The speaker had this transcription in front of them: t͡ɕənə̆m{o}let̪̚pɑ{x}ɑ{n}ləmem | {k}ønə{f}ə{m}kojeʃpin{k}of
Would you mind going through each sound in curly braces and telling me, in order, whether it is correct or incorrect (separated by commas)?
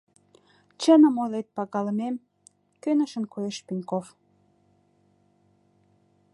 correct, incorrect, incorrect, correct, incorrect, incorrect, correct